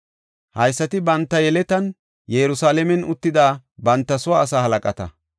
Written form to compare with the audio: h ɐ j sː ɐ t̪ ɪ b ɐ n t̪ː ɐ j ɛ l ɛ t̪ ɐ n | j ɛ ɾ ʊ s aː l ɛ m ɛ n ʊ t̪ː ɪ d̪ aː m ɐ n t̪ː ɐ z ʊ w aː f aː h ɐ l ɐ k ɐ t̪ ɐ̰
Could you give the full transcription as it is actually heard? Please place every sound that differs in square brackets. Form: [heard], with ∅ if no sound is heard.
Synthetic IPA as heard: h ɐ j sː ɐ t̪ ɪ b ɐ n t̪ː ɐ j ɛ l ɛ t̪ ɐ n | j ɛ ɾ ʊ s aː l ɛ m ɛ n ʊ t̪ː ɪ d̪ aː [b] ɐ n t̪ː ɐ [s] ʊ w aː [s] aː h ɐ l ɐ [kʼ] ɐ t̪ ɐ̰